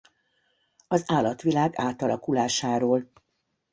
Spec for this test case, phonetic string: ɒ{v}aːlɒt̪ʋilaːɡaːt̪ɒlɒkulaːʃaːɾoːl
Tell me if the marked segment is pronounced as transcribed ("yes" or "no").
no